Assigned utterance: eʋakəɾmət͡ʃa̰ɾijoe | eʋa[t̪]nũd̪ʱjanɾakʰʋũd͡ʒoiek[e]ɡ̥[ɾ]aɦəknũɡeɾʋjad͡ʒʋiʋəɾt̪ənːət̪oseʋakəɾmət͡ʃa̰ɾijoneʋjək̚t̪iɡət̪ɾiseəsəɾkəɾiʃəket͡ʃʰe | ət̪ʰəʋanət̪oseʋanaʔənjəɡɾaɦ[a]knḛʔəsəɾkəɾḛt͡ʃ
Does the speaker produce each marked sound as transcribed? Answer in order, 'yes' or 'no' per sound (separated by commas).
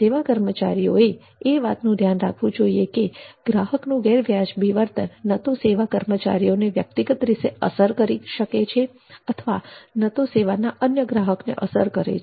yes, yes, yes, no